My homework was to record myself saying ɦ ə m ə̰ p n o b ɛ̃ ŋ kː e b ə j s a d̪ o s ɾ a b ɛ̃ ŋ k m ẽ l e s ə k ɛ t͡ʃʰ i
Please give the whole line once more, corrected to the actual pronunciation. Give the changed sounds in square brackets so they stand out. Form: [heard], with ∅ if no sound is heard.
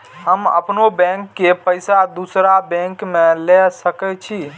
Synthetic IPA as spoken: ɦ ə m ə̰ p n o b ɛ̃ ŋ kː e [p] ə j s a d̪ [u] s ɾ a b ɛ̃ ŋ k m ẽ l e s ə k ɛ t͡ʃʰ i